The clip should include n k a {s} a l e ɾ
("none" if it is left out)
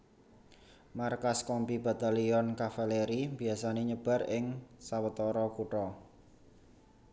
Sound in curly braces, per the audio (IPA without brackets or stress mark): f